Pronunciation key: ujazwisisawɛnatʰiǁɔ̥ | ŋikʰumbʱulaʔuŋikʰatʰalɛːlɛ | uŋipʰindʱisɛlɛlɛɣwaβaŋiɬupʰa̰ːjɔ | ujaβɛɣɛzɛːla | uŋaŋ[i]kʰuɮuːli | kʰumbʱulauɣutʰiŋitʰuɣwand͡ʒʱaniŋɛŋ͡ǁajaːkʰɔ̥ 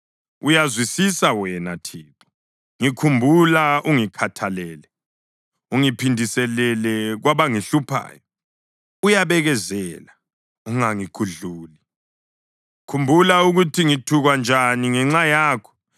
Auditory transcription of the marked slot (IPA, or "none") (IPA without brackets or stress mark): i